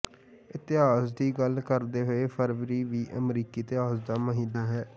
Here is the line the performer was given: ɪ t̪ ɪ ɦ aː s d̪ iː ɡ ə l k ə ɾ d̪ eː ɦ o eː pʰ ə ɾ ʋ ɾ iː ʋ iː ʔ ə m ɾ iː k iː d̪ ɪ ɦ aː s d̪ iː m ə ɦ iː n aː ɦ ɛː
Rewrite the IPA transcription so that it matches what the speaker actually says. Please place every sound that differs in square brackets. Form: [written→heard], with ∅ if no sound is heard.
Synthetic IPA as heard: ɪ t̪ ɪ ɦ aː s d̪ iː ɡ ə l k ə ɾ d̪ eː ɦ o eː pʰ ə ɾ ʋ ɾ iː ʋ iː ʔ ə m ɾ iː k iː [d̪→t̪] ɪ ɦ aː s d̪ [iː→aː] m ə ɦ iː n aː ɦ ɛː